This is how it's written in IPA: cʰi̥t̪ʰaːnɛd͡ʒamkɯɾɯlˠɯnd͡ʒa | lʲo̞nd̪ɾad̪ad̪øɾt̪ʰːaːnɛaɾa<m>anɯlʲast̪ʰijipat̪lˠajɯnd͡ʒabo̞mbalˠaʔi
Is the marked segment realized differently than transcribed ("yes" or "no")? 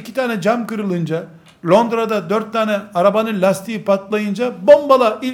yes